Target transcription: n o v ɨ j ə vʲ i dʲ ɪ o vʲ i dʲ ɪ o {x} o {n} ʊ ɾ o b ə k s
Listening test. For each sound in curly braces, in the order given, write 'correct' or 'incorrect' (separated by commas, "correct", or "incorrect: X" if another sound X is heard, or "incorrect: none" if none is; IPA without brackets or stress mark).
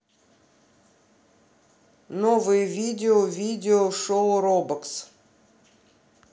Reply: incorrect: ʂ, incorrect: none